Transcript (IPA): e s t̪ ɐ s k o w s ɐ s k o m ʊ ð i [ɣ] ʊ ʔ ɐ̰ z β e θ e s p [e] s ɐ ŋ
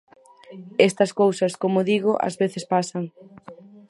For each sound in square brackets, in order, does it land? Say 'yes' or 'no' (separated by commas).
yes, no